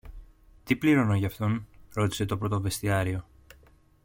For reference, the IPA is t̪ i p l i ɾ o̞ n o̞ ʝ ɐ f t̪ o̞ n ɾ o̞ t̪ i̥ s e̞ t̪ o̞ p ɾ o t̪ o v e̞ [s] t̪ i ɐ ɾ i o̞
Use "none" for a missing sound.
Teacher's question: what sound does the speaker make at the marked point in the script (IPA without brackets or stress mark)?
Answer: s